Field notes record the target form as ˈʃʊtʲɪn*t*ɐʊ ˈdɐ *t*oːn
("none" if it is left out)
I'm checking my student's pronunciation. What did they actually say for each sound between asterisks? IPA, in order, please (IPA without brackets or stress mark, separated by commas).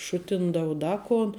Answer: d, k